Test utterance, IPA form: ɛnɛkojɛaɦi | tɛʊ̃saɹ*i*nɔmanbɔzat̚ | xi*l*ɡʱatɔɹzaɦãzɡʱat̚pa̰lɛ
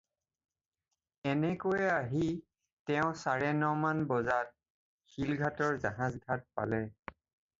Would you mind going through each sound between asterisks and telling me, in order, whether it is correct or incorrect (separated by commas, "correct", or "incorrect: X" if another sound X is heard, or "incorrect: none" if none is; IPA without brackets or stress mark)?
incorrect: ɛ, correct